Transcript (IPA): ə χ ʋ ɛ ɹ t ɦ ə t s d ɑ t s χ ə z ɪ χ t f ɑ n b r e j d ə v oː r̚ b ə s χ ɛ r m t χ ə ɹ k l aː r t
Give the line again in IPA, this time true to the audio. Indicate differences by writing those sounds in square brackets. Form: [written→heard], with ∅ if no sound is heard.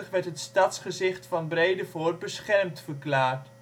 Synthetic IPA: ə χ ʋ ɛ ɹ t ɦ ə t s [d→t] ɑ t s χ ə z ɪ χ t f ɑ n b r e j d ə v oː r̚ b ə s χ ɛ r m t [χ→f] ə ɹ k l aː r t